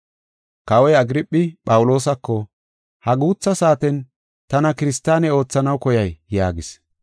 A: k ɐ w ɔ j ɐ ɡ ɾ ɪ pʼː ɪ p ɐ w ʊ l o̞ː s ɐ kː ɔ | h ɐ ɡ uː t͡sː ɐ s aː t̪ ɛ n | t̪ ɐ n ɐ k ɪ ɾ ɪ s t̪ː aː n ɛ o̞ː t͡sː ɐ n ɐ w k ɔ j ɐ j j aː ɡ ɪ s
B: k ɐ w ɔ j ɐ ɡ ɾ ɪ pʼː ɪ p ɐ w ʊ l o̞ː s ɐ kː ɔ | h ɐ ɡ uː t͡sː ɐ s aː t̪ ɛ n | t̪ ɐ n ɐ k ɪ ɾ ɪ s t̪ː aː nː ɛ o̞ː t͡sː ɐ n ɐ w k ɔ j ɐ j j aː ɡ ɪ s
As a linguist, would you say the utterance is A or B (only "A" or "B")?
A